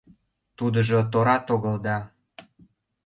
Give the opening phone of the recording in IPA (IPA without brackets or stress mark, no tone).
t̪